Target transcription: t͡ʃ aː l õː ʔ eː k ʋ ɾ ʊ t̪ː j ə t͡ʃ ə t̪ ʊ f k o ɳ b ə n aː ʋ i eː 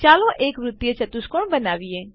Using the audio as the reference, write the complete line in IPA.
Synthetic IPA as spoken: t͡ʃ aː l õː ʔ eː k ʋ ɾ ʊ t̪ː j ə t͡ʃ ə t̪ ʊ s k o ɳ b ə n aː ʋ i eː